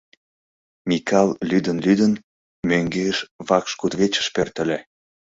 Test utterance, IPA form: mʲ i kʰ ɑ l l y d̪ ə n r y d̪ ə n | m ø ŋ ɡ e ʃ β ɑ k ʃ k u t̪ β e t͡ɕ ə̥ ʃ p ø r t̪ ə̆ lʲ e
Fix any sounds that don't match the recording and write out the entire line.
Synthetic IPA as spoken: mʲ i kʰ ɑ l l y d̪ ə n l y d̪ ə n | m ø ŋ ɡ e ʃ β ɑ k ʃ k u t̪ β e t͡ɕ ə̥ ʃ p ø r t̪ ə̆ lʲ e